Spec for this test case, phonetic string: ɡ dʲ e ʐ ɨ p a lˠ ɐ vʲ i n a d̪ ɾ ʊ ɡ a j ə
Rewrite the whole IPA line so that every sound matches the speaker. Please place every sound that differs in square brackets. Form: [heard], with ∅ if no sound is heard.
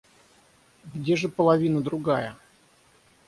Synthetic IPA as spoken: ɡ dʲ e ʐ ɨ p [ə] lˠ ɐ vʲ i n [ə] d̪ ɾ ʊ ɡ a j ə